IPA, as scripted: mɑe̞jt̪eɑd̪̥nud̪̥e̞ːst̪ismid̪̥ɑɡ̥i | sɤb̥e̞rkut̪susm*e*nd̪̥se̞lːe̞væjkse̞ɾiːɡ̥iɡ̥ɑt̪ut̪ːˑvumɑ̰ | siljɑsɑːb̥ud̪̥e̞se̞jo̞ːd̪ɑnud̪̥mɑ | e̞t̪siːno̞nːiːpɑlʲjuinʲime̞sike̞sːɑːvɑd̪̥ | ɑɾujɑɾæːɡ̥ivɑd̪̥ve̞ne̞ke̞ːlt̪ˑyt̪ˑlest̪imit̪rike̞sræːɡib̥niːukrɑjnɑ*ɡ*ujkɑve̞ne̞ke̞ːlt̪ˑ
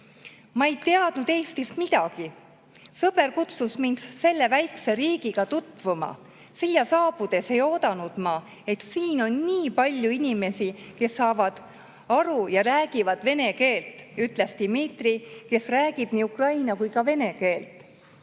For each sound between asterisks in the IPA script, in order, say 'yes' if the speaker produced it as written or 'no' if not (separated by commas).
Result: no, no